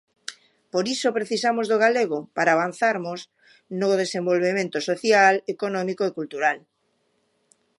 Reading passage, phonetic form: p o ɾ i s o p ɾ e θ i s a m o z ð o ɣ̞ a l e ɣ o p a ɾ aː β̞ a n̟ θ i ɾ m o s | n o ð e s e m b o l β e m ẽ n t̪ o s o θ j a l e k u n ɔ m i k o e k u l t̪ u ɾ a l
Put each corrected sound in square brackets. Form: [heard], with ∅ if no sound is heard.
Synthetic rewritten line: p o ɾ i s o p ɾ e θ i s a m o z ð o ɣ̞ a l e ɣ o p a ɾ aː β̞ a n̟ θ [a] ɾ m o s | n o ð e s e m b o l β e m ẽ n t̪ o s o θ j a l e k [o] n ɔ m i k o e k u l t̪ u ɾ a l